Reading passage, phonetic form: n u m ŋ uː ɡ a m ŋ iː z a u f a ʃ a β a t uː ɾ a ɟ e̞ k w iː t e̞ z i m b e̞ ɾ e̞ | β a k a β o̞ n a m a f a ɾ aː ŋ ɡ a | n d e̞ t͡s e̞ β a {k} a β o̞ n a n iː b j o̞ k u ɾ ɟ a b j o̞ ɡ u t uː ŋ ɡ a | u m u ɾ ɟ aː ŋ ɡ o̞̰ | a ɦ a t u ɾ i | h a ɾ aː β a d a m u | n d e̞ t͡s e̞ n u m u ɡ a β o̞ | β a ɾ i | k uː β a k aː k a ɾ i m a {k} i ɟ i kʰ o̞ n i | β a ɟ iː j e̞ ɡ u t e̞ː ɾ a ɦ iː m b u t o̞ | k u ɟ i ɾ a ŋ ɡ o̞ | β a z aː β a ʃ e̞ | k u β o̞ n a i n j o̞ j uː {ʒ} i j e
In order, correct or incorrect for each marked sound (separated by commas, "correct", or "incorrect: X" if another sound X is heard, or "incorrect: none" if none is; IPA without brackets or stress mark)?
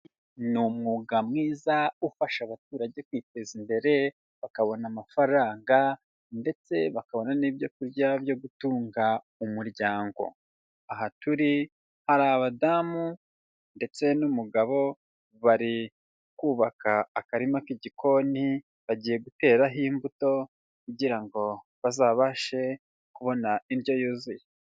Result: correct, correct, incorrect: z